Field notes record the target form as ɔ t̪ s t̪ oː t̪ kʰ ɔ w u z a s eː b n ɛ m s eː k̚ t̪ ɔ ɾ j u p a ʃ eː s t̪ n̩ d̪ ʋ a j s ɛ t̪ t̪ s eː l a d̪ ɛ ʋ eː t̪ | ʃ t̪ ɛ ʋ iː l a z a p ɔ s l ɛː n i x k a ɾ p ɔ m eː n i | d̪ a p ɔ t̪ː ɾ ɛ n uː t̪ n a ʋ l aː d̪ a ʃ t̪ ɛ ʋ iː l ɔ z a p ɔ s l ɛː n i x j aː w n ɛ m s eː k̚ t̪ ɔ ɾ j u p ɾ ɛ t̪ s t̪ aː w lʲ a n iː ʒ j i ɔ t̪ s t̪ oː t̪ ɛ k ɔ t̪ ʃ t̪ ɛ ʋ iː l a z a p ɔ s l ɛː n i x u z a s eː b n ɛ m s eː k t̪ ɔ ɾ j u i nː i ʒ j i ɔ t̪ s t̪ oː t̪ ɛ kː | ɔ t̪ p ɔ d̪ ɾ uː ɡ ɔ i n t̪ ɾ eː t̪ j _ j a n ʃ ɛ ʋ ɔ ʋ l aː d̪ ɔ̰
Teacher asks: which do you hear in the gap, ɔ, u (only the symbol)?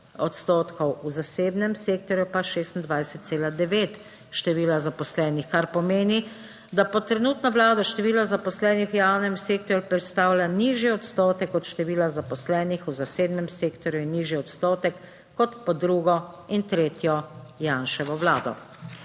ɔ